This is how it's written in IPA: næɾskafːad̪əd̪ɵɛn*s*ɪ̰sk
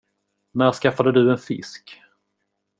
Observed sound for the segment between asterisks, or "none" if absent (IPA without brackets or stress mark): f